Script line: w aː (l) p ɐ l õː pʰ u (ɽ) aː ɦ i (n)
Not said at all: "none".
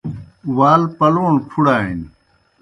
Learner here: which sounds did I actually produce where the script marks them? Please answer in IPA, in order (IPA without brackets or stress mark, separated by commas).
l, ɽ, n